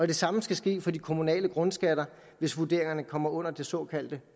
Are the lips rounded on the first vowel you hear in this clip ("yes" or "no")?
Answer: yes